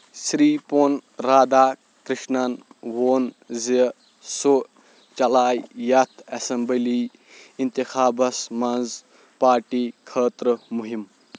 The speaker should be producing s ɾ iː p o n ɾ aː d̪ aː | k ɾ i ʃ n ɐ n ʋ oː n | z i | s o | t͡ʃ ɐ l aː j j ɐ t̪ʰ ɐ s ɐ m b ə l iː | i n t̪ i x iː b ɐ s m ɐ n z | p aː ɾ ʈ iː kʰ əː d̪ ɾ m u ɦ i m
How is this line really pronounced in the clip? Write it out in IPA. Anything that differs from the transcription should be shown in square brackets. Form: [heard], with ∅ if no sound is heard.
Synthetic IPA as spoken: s ɾ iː p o n ɾ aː d̪ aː | k ɾ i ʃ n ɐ n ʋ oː n | z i | s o | t͡ʃ ɐ l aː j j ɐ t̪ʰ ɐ s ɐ m b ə l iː | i n t̪ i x [aː] b ɐ s m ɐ n z | p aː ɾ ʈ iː kʰ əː [t̪] ɾ m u ɦ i m